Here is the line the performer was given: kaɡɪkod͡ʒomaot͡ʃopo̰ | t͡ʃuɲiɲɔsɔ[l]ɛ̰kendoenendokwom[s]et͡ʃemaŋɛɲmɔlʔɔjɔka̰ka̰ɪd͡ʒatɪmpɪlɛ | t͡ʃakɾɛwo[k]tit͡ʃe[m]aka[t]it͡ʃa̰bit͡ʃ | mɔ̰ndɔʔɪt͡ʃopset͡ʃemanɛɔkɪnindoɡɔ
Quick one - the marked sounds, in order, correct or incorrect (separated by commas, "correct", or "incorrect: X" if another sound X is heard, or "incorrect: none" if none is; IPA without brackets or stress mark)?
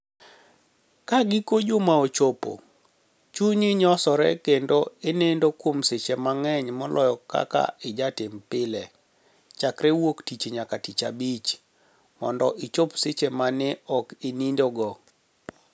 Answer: incorrect: ɾ, correct, correct, incorrect: ɲ, correct